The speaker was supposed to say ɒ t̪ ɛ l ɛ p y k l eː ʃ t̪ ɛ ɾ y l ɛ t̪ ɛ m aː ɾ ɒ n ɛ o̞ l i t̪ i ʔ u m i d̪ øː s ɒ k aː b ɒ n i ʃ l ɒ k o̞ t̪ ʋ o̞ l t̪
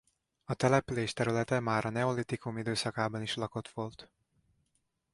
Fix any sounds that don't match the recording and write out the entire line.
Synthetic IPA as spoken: ɒ t̪ ɛ l ɛ p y l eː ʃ t̪ ɛ ɾ y l ɛ t̪ ɛ m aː ɾ ɒ n ɛ o̞ l i t̪ i k u m i d̪ øː s ɒ k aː b ɒ n i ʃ l ɒ k o̞ t̪ ʋ o̞ l t̪